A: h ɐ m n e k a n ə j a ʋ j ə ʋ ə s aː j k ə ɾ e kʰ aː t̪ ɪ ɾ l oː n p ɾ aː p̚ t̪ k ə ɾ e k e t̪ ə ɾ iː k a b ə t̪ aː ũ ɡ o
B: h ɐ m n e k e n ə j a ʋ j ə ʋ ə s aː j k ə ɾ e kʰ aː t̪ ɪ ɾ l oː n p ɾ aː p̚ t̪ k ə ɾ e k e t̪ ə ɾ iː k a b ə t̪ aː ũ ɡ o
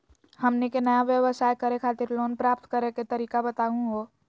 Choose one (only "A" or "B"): B